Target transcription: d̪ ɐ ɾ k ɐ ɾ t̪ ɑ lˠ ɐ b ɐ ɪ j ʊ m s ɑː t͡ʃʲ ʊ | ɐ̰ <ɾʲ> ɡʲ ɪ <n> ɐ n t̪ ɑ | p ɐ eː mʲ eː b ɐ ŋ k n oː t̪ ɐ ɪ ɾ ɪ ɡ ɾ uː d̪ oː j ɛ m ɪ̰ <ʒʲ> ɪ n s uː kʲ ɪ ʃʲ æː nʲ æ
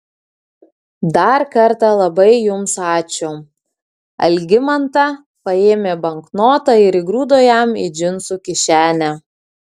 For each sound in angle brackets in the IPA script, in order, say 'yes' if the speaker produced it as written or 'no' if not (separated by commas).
no, no, no